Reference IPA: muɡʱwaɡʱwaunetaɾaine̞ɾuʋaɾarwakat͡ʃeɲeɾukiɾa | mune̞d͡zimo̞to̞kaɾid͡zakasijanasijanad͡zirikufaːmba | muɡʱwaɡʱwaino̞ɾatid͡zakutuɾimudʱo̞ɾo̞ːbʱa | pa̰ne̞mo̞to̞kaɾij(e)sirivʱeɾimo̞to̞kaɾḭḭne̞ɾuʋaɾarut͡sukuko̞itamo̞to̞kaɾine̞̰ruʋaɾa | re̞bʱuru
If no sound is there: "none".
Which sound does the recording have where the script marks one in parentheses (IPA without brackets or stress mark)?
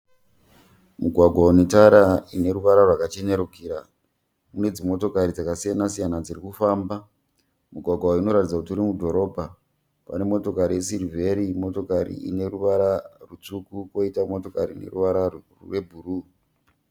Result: e